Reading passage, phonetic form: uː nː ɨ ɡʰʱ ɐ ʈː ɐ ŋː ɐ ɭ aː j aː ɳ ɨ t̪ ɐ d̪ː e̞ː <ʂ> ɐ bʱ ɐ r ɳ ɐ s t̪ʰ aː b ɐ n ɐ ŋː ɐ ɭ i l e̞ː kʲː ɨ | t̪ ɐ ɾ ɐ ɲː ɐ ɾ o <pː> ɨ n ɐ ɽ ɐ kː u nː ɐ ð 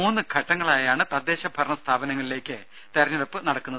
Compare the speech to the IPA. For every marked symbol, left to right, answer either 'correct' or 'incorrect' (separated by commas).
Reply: incorrect, correct